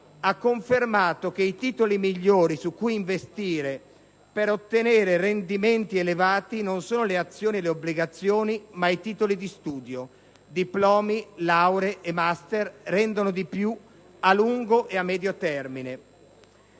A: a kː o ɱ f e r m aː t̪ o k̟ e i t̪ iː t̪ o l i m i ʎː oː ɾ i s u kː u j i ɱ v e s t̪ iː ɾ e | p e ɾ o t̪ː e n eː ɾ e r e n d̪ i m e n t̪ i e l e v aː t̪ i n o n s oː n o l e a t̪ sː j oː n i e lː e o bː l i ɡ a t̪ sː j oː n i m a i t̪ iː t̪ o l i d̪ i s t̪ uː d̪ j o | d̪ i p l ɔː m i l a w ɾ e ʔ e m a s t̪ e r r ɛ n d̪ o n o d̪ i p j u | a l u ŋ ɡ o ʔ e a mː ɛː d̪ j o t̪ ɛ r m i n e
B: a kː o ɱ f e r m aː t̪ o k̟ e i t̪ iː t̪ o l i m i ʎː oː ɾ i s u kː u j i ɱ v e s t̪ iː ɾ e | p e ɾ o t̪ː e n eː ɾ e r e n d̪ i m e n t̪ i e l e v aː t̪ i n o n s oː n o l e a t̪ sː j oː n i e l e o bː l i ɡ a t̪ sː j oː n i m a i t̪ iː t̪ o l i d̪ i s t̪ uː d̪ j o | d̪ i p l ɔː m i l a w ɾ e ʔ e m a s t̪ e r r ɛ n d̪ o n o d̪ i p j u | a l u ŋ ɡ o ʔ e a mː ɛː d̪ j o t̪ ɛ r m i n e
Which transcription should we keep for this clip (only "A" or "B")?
B